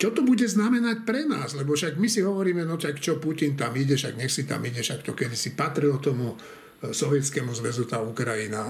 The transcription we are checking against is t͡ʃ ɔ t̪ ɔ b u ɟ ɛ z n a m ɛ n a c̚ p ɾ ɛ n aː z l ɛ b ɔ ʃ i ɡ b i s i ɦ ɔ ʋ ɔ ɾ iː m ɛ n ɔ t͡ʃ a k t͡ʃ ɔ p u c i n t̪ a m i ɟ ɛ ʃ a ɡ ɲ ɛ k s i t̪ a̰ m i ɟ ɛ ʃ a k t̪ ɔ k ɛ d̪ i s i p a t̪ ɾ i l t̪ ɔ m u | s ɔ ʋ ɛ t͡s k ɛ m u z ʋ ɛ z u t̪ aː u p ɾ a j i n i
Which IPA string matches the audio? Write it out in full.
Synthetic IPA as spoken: t͡ʃ ɔ t̪ ɔ b u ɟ ɛ z n a m ɛ n a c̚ p ɾ ɛ n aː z l ɛ b ɔ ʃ a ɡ m i s i ɦ ɔ ʋ ɔ ɾ iː m ɛ n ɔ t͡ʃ a k t͡ʃ ɔ p u c i n t̪ a m i ɟ ɛ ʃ a ɡ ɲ ɛ x s i t̪ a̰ m i ɟ ɛ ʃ a k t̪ ɔ k ɛ d̪ i s i p a t̪ ɾ i l t̪ ɔ m u | s ɔ ʋ ɛ t͡s k ɛ m u z ʋ ɛ z u t̪ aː u k ɾ a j i n a